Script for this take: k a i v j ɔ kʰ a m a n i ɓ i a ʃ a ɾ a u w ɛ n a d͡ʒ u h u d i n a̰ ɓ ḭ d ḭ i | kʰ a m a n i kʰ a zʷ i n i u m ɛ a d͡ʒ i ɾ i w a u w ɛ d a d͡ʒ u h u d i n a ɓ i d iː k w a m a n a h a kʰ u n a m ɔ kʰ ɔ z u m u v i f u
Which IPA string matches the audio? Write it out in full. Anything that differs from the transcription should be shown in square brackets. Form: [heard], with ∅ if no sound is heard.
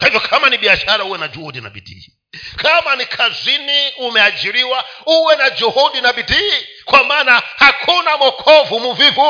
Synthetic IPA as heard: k a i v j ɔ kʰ a m a n i ɓ i a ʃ a ɾ a u w ɛ n a d͡ʒ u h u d i n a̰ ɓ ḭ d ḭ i | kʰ a m a n i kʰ a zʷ i n i u m ɛ a d͡ʒ i ɾ i w a u w ɛ [n] a d͡ʒ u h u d i n a ɓ i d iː k w a m a n a h a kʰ u n a m ɔ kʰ ɔ [v] u m u v i [v] u